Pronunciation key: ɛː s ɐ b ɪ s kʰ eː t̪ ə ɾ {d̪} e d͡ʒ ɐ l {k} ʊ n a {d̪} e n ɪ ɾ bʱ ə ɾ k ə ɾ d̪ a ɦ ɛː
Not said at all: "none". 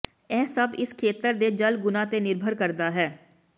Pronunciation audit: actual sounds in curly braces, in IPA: d̪, ɡ, t̪

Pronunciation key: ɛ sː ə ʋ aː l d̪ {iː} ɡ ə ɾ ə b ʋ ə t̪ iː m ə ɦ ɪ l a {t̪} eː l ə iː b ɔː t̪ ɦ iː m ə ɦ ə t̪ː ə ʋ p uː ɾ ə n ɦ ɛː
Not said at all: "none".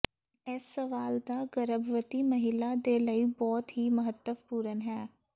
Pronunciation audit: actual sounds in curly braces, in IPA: aː, d̪

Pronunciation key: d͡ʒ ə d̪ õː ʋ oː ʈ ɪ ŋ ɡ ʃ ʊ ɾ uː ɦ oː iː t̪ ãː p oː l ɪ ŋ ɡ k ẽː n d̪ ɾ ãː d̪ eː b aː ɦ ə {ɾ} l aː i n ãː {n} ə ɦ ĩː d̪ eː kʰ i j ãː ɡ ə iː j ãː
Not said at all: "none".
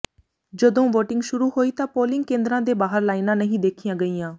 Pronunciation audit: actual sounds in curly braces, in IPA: ɾ, n

